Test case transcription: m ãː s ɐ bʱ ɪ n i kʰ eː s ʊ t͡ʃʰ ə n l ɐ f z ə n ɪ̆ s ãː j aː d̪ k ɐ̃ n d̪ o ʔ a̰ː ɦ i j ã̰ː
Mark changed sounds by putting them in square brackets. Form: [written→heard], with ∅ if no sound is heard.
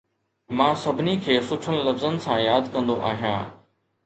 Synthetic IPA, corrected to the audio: m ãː s ɐ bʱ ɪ n i kʰ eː s ʊ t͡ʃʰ ə n l ɐ f z ə n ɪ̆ s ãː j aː d̪ k ɐ̃ n d̪ o ʔ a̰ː ɦ i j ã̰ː